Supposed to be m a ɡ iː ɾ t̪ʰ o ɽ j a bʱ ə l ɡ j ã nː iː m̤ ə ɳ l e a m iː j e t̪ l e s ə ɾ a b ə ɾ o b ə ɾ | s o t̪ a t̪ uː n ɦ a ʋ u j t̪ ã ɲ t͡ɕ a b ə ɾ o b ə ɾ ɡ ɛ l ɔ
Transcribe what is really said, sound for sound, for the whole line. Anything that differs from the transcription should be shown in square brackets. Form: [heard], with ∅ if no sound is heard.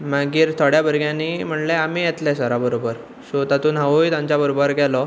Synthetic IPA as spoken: m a ɡ iː ɾ t̪ʰ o ɽ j a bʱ ə [ɾ] ɡ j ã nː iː m̤ ə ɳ l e a m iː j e t̪ l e s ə ɾ a b ə ɾ o b ə ɾ | s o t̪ a t̪ uː n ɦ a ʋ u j t̪ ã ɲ t͡ɕ a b ə ɾ o b ə ɾ ɡ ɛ l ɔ